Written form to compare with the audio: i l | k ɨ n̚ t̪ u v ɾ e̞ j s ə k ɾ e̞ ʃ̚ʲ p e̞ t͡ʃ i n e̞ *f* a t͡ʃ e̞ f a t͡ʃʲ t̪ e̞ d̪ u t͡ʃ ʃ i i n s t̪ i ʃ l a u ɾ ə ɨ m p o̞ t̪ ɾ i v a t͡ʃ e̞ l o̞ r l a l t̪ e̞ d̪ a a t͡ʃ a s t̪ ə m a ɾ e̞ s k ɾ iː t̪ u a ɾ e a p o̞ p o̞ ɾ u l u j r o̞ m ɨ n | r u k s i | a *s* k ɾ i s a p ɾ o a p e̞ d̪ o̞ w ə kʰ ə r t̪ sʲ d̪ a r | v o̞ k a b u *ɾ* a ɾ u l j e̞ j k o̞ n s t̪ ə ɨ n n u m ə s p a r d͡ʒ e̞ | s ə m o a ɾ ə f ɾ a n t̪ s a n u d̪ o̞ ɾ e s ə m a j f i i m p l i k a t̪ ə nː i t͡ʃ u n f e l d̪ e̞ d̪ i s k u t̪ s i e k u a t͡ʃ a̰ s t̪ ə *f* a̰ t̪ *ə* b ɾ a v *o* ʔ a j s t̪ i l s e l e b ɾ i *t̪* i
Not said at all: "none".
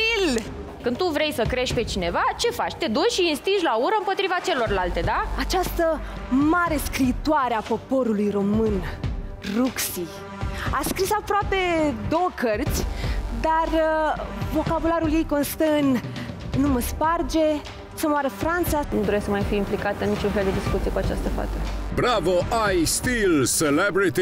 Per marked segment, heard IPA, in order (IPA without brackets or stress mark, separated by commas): v, s, l, f, ə, o, t̪